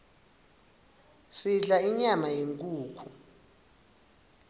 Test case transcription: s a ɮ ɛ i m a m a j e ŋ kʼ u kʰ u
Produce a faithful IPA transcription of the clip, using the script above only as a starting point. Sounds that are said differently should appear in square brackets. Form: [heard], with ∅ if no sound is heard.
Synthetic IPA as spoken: s [i] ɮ [a] i [ɲ] a m a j e ŋ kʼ [uː] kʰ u